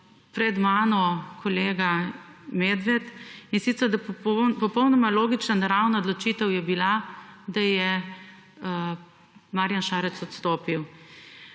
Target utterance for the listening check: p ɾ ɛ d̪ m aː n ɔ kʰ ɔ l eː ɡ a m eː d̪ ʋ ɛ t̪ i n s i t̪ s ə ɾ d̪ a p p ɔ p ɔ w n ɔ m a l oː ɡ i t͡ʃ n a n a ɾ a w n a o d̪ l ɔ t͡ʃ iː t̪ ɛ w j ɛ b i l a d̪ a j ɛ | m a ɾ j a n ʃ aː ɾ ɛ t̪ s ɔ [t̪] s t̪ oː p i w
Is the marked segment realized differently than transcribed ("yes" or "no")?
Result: no